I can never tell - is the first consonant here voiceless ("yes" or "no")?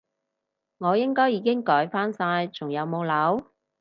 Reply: no